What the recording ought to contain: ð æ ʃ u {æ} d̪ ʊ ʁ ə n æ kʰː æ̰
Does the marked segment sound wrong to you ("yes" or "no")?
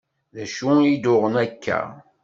yes